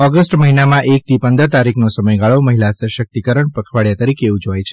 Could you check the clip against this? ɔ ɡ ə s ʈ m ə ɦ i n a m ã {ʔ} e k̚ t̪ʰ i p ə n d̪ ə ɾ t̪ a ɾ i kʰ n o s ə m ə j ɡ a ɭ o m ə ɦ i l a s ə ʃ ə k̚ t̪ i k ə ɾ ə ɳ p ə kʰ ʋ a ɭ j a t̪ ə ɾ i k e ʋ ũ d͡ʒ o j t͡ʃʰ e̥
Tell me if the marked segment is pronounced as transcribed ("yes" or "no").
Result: yes